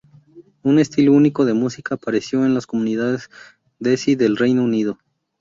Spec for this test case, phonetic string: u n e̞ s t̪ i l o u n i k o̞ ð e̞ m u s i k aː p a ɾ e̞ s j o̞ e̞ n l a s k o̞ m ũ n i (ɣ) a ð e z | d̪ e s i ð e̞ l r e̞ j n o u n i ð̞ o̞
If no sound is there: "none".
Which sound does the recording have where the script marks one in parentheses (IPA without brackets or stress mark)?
ð